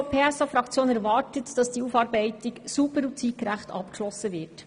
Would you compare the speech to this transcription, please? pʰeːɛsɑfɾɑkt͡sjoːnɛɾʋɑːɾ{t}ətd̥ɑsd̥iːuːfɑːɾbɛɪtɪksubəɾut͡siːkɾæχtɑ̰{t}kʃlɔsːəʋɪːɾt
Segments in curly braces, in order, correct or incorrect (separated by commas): correct, incorrect